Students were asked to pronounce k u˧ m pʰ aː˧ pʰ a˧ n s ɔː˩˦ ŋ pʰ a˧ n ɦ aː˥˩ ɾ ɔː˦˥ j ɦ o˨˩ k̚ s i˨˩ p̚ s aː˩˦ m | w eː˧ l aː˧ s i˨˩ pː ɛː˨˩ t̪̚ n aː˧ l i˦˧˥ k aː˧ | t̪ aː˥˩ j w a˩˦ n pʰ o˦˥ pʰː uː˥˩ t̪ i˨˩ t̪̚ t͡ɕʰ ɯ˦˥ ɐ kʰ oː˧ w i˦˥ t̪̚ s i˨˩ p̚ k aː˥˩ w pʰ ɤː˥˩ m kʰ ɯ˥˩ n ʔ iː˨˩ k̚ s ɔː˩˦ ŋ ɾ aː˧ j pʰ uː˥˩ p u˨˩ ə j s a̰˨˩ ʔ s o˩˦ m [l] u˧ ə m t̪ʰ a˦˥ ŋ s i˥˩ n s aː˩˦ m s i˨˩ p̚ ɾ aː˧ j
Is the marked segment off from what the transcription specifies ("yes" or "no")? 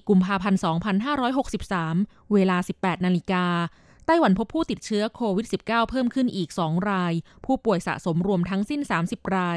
yes